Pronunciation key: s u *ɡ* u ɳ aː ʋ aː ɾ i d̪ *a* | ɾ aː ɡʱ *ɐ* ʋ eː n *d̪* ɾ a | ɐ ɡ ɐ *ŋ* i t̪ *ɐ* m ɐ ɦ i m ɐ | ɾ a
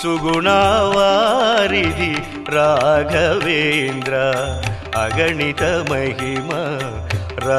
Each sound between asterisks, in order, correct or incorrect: correct, incorrect: i, correct, correct, incorrect: ɳ, correct

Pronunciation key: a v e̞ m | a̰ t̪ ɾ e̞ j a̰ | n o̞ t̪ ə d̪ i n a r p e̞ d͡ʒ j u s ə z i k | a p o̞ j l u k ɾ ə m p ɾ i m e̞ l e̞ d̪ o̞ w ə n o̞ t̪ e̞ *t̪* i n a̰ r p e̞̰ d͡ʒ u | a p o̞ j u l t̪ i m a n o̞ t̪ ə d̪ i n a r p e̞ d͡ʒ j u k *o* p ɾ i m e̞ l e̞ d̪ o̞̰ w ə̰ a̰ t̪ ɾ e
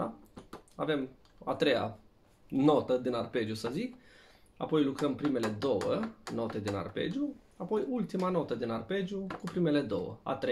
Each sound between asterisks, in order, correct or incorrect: incorrect: d̪, incorrect: u

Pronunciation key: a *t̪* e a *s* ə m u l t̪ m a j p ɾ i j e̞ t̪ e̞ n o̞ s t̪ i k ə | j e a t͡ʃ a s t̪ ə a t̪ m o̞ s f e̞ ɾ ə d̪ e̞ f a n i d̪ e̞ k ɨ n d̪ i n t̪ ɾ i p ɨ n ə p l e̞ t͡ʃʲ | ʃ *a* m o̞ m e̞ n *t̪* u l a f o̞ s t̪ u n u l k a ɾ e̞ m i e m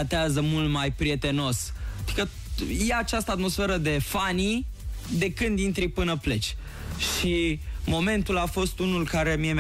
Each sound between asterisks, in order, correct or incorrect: correct, incorrect: z, incorrect: i, correct

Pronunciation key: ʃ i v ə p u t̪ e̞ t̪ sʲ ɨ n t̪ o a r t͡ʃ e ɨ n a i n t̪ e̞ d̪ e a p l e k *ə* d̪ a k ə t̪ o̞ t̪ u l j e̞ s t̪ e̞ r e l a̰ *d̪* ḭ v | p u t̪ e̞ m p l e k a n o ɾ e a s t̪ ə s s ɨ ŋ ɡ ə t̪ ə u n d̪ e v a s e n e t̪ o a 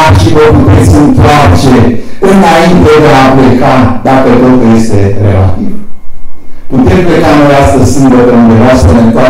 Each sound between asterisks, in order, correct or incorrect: incorrect: a, incorrect: t̪

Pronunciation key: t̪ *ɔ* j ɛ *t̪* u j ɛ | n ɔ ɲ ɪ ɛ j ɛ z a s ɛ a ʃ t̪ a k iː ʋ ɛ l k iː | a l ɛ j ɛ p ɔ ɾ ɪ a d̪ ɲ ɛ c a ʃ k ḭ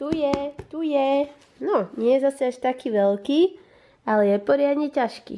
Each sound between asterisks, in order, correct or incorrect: incorrect: u, correct

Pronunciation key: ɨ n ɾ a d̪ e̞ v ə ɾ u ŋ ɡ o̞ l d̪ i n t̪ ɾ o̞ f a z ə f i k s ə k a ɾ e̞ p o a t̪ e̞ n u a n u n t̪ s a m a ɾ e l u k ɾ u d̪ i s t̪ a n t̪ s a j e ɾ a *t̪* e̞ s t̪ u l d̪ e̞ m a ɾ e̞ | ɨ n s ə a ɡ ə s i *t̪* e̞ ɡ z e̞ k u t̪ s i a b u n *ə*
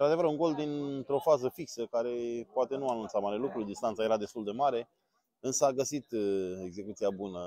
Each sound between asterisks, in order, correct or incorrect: incorrect: d̪, correct, correct

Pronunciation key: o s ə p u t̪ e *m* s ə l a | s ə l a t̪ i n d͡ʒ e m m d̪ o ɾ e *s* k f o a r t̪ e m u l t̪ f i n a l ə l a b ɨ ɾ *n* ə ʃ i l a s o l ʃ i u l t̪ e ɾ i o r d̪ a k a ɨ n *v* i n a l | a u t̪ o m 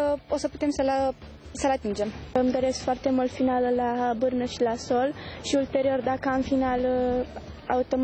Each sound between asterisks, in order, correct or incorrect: correct, correct, correct, incorrect: f

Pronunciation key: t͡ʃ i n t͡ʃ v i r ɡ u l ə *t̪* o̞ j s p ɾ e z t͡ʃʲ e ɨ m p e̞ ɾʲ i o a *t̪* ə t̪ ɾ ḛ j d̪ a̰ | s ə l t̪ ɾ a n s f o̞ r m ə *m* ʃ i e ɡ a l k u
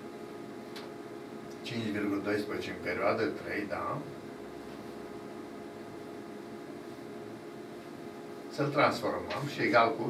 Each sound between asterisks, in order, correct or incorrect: incorrect: d̪, incorrect: d̪, correct

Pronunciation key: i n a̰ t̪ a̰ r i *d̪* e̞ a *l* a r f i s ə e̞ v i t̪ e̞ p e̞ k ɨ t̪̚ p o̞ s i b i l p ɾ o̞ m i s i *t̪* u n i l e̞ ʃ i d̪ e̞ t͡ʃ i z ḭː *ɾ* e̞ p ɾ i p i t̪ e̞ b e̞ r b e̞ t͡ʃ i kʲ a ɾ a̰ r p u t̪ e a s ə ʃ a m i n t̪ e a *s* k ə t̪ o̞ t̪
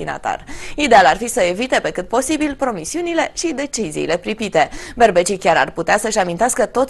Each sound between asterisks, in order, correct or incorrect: correct, correct, incorrect: none, incorrect: l, correct

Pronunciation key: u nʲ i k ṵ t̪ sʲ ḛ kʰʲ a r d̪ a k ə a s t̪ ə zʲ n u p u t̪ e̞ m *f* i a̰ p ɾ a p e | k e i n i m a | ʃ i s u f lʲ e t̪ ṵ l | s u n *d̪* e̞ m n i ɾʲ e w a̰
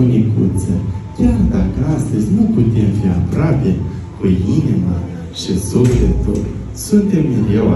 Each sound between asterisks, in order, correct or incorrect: correct, incorrect: t̪

